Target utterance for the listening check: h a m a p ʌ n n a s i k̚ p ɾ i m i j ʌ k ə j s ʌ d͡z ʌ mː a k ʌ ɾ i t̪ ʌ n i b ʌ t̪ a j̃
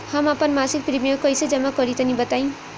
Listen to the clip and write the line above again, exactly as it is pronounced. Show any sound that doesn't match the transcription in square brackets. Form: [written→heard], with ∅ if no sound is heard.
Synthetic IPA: h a m a p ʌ n [n→m] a s i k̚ p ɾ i m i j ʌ k [ə→ʌ] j s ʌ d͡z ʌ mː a k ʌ ɾ i t̪ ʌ n i b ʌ t̪ a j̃